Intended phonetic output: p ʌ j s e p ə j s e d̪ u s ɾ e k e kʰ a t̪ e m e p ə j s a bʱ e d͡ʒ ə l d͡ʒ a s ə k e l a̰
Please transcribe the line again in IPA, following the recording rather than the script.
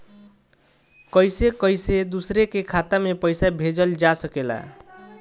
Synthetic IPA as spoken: k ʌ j s e k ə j s e d̪ u s ɾ e k e kʰ a t̪ a m e p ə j s a bʱ e d͡ʒ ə l d͡ʒ a s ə k e l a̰